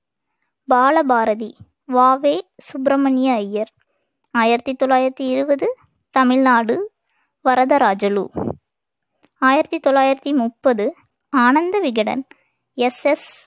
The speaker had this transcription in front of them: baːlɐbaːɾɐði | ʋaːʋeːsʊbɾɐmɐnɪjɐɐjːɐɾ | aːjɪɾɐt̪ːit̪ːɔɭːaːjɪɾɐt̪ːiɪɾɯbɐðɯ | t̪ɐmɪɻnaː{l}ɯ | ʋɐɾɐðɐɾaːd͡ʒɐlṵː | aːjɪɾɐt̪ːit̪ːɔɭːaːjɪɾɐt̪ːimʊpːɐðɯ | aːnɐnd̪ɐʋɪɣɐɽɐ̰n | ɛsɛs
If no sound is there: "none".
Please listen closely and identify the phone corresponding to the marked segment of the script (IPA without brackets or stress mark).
ɽ